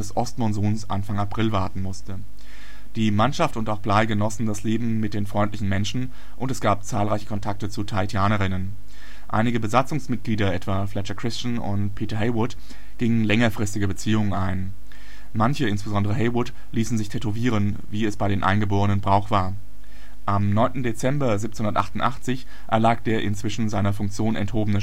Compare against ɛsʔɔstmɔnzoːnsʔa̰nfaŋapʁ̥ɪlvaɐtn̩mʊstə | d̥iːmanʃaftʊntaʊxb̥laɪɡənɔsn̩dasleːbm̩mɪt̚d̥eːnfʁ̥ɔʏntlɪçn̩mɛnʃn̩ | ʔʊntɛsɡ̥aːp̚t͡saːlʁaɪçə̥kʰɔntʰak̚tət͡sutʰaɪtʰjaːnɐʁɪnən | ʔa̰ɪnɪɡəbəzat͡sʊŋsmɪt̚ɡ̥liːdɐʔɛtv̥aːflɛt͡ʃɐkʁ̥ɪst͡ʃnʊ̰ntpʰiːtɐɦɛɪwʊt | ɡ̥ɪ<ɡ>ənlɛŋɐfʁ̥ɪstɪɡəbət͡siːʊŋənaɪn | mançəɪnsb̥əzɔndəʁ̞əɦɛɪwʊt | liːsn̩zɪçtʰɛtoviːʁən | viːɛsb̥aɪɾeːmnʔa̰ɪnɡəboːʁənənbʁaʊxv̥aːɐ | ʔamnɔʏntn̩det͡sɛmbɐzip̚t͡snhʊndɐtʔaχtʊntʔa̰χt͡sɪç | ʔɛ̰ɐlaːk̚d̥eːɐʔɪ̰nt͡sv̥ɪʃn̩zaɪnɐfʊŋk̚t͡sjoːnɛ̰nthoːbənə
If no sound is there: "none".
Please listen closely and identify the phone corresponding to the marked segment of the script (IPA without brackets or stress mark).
ŋ